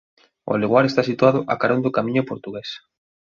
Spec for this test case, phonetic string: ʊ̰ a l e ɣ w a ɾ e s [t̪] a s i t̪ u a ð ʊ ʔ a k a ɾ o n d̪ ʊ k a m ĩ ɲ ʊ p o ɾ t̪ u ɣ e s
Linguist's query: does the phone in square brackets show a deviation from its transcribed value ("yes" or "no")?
no